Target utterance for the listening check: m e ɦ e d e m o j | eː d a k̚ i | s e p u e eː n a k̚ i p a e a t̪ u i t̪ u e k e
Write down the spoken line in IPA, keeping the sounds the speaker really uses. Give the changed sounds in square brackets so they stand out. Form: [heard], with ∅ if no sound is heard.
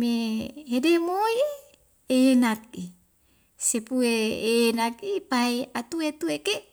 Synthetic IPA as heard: m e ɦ e d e m o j | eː [n] a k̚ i | s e p u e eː n a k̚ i p a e a t̪ u [e] t̪ u e k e